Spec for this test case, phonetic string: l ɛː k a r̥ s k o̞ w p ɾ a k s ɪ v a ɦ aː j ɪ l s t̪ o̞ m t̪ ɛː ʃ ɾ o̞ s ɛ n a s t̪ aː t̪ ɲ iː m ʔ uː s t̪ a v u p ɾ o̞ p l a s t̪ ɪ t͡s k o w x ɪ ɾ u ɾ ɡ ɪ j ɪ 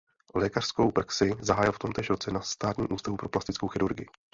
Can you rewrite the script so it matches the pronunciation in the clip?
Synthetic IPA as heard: l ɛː k a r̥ s k o̞ w p ɾ a k s ɪ z a ɦ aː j ɪ l f t̪ o̞ m t̪ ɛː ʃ ɾ o̞ t͡s ɛ n a s t̪ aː t̪ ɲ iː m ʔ uː s t̪ a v u p ɾ o̞ p l a s t̪ ɪ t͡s k o w x ɪ ɾ u ɾ ɡ ɪ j ɪ